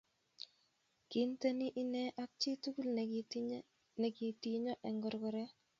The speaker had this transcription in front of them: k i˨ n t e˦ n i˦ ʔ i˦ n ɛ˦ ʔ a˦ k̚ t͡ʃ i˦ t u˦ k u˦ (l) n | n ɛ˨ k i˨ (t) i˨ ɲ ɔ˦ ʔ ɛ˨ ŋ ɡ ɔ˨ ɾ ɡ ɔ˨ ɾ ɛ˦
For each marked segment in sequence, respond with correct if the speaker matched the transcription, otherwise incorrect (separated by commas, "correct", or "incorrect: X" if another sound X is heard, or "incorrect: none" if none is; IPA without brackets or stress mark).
correct, correct